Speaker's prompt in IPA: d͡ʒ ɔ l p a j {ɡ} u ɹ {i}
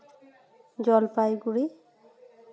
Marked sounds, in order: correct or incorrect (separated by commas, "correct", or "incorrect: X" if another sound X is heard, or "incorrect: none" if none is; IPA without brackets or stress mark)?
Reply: correct, correct